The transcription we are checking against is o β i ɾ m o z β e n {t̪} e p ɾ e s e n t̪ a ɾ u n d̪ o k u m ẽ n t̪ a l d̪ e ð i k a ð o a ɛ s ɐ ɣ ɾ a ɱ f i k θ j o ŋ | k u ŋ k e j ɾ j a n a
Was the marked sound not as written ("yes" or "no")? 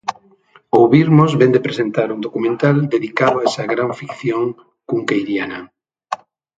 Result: yes